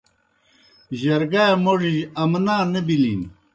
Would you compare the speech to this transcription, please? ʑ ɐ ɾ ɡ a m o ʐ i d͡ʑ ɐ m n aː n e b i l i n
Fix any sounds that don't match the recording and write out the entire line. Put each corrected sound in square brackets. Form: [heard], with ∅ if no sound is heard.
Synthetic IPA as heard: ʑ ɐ ɾ ɡ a m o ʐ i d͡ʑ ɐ m n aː n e b i l i n